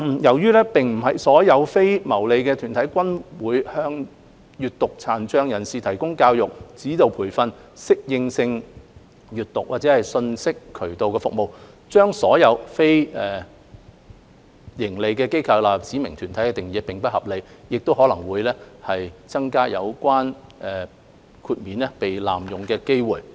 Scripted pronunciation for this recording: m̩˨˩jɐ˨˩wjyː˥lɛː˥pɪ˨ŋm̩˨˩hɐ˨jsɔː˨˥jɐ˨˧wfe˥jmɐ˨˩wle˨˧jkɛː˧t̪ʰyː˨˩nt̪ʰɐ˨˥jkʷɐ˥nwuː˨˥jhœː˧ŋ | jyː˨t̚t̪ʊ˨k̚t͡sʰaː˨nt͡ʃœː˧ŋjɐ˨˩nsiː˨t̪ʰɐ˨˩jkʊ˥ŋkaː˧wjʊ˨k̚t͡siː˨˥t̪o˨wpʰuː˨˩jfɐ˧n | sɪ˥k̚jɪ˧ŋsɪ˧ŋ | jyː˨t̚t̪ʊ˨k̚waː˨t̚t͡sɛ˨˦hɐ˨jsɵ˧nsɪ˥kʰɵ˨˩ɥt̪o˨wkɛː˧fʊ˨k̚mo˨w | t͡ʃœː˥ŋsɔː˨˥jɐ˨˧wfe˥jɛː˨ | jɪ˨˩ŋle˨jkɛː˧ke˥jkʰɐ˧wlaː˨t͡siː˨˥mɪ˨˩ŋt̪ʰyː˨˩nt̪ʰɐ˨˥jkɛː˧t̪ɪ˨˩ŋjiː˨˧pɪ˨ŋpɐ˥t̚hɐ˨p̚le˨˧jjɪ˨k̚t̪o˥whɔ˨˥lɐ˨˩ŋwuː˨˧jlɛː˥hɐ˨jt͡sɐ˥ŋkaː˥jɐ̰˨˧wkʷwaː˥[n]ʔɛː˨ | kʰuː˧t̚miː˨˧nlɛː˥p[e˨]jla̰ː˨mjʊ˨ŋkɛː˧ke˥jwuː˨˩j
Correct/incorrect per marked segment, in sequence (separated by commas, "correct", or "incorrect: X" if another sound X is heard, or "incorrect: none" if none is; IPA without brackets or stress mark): correct, correct